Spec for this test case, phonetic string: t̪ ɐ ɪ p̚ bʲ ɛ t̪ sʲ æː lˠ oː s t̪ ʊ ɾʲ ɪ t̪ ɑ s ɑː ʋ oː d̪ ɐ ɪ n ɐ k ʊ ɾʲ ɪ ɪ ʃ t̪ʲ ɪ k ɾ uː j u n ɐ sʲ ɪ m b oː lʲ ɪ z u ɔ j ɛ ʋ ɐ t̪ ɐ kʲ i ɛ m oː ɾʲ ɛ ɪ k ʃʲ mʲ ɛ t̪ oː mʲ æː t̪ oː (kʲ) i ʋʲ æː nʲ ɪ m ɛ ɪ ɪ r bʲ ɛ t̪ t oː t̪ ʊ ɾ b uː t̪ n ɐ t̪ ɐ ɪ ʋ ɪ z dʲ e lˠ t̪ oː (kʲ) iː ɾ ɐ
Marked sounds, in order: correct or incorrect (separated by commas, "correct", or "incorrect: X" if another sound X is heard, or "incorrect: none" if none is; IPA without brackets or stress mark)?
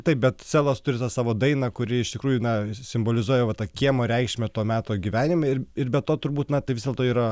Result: incorrect: ɡʲ, incorrect: none